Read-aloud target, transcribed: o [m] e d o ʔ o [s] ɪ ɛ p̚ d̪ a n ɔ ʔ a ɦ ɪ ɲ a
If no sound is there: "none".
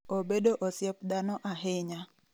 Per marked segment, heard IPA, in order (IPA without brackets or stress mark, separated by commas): b, s